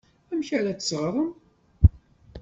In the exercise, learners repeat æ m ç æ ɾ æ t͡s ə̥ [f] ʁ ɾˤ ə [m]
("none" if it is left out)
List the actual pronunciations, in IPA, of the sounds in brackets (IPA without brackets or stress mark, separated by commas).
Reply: s, m